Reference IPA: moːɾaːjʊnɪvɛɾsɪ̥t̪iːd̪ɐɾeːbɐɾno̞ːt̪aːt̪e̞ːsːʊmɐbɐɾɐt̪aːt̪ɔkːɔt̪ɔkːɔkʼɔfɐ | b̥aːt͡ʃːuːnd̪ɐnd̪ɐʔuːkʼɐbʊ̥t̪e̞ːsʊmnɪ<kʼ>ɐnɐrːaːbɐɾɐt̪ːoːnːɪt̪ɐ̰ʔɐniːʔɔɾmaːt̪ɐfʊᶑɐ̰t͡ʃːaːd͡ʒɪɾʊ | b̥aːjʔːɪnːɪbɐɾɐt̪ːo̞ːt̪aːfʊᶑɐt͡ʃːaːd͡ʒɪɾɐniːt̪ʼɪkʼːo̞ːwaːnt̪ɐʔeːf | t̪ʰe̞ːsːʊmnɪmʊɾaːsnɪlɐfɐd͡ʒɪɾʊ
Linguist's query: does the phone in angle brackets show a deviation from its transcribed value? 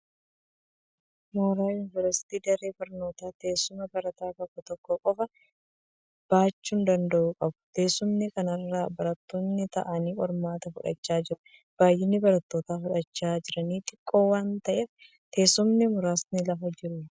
yes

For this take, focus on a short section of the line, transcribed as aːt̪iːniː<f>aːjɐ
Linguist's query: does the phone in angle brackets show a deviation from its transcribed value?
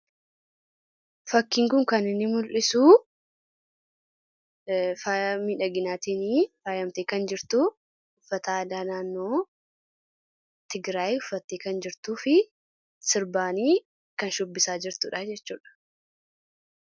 no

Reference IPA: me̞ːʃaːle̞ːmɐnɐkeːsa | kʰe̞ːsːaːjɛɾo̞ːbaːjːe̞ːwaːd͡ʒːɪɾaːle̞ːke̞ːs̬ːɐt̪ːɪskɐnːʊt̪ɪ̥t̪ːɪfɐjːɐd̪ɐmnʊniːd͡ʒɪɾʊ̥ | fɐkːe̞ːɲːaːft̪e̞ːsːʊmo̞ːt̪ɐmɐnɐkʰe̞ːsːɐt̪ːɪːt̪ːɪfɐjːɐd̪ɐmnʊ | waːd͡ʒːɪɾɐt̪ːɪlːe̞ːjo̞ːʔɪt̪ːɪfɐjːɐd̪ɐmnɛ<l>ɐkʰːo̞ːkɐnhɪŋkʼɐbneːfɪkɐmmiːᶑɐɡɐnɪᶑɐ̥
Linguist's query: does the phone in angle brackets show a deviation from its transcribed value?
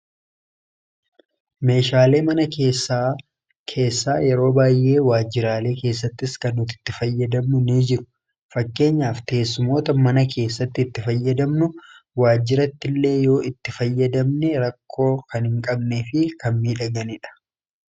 yes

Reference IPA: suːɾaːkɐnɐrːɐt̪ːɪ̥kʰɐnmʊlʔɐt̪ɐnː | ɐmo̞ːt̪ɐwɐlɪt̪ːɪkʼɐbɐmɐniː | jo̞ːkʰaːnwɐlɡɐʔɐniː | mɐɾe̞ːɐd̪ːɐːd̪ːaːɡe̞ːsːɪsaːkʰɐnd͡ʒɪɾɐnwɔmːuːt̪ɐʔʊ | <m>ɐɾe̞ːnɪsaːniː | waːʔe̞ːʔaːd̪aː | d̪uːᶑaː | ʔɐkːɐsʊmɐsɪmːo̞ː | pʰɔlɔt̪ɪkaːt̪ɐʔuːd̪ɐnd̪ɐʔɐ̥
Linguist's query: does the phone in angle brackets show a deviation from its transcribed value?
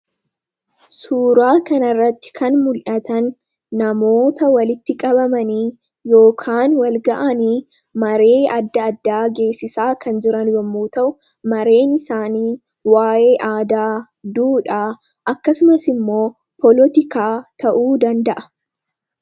no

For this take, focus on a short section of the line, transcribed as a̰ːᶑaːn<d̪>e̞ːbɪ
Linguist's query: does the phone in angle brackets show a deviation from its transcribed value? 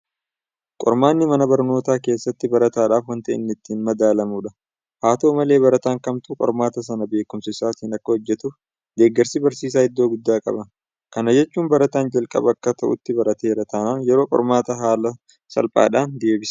no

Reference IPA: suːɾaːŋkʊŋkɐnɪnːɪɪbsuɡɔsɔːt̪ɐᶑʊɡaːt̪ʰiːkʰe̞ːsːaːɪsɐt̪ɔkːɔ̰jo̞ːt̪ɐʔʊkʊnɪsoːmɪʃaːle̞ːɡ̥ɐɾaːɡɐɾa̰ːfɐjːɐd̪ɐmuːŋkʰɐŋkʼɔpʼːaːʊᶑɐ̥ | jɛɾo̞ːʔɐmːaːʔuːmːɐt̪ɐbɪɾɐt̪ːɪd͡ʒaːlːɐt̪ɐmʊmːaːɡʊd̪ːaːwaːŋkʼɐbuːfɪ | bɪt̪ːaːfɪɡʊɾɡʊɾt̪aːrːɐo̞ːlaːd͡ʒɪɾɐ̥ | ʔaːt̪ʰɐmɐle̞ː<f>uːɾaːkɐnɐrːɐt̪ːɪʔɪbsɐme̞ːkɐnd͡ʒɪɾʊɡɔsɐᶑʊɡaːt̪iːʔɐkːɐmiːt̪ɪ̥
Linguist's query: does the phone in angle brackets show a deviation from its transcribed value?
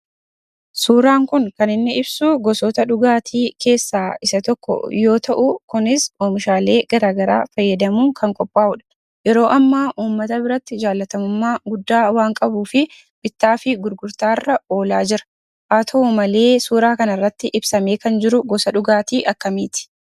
yes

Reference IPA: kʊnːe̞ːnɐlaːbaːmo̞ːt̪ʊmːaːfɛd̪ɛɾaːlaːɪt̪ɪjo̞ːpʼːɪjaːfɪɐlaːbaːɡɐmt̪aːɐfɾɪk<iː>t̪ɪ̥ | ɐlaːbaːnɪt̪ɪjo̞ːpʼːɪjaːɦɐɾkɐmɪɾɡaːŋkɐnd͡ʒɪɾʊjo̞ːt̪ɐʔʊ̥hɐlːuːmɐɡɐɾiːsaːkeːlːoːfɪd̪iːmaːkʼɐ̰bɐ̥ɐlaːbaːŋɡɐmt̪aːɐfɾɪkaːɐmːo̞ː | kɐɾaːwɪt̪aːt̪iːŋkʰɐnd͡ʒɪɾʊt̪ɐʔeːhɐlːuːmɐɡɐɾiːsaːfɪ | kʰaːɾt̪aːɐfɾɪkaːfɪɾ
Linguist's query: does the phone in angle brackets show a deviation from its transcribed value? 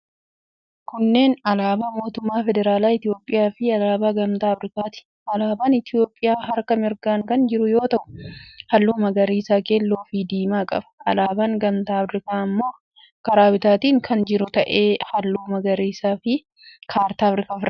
yes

